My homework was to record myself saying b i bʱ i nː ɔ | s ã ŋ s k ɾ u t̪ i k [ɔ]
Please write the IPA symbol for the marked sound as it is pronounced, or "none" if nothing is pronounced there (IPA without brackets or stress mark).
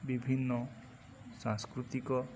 ɔ